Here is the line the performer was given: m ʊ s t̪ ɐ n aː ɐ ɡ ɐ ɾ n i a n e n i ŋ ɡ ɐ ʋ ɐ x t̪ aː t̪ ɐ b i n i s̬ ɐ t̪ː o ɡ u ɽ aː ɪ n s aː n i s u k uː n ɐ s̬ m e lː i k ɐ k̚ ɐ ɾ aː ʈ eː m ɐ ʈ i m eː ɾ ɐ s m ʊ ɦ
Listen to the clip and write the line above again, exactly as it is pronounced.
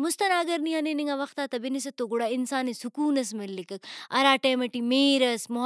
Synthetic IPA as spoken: m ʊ s t̪ ɐ n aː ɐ ɡ ɐ ɾ n i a n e n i ŋ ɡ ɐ ʋ ɐ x t̪ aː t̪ ɐ b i n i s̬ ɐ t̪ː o ɡ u ɽ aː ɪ n s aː n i s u k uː n ɐ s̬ m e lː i k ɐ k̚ ɐ ɾ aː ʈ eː m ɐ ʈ i m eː ɾ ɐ s m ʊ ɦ

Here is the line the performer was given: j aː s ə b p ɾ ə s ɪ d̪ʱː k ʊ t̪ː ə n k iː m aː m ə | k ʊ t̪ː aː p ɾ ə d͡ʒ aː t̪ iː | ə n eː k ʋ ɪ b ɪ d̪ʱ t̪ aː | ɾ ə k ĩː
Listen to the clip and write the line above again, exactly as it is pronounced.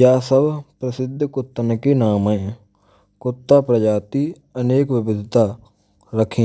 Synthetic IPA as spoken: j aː s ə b p ɾ ə s ɪ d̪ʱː k ʊ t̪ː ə n k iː n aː m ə | k ʊ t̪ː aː p ɾ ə d͡ʒ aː t̪ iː | ə n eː k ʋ ɪ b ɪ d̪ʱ t̪ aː | ɾ ə kʰ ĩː

